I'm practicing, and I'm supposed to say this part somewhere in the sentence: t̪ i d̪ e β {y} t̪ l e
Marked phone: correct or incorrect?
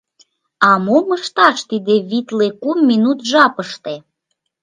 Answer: incorrect